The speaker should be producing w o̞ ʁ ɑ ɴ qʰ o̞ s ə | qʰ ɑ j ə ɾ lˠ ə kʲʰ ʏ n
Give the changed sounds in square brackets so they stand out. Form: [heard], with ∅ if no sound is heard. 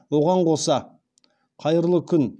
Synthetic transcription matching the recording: w o̞ ʁ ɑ ɴ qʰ o̞ s [ɑ] | qʰ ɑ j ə ɾ lˠ ə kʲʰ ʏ n